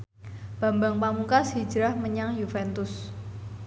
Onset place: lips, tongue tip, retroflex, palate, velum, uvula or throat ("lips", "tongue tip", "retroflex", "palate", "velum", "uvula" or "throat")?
lips